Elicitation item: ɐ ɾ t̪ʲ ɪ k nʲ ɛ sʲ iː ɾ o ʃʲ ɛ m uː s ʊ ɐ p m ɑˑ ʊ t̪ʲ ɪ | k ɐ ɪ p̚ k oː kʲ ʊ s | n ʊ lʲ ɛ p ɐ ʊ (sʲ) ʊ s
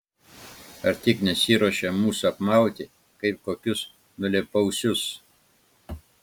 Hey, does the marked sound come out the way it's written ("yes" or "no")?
yes